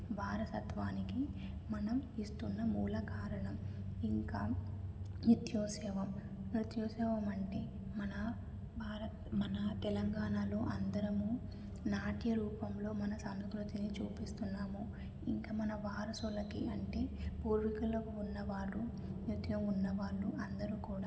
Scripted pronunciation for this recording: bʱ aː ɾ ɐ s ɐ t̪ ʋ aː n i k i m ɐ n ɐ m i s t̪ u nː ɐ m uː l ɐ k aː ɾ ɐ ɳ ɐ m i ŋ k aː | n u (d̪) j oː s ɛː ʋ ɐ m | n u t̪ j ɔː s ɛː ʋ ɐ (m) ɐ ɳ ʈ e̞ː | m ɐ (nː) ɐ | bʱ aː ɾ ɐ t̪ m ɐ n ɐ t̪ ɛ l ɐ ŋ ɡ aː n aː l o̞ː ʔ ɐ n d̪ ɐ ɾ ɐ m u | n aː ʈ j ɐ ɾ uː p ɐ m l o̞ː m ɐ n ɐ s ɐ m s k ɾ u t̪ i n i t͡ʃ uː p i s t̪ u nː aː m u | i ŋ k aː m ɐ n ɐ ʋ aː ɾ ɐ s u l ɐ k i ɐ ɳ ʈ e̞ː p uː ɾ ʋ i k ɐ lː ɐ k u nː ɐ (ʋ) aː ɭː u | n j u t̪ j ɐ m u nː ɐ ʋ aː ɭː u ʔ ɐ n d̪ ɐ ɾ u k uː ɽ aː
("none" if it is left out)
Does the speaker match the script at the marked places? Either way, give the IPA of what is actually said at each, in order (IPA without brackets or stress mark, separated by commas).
t̪, m, n, ʋ